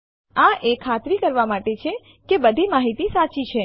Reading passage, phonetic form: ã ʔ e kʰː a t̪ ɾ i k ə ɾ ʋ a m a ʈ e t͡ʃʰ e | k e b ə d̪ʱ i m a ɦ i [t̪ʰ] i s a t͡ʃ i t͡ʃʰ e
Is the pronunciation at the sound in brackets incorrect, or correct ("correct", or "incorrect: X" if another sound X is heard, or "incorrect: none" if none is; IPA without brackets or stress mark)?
incorrect: t̪